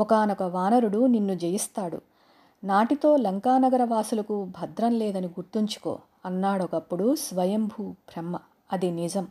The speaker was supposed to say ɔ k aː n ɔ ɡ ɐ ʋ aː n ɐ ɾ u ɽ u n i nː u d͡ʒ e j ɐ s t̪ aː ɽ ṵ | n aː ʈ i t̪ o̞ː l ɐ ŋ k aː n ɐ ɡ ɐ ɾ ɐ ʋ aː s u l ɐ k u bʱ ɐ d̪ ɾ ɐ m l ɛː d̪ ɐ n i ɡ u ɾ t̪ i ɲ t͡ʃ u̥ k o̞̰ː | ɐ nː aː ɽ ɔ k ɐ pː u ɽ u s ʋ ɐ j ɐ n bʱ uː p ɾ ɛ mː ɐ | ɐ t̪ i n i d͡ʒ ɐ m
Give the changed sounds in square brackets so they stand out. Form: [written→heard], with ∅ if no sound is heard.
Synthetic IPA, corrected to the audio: ɔ k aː n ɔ [ɡ→k] ɐ ʋ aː n ɐ ɾ u ɽ u n i nː u d͡ʒ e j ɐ s t̪ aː ɽ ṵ | n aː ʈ i t̪ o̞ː l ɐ ŋ k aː n ɐ ɡ ɐ ɾ ɐ ʋ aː s u l ɐ k u bʱ ɐ d̪ ɾ ɐ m l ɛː d̪ ɐ n i ɡ u ɾ t̪ i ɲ t͡ʃ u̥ k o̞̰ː | ɐ nː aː ɽ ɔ k ɐ pː u ɽ u s ʋ ɐ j ɐ [n→m] bʱ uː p ɾ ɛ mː ɐ | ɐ [t̪→d̪] i n i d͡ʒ ɐ m